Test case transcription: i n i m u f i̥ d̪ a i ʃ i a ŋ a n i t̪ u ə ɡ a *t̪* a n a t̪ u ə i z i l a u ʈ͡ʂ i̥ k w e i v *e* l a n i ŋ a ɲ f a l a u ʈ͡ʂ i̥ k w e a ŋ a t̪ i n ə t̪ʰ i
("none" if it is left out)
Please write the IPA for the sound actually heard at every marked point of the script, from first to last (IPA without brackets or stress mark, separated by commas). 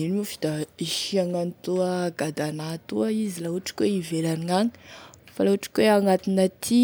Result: d̪, e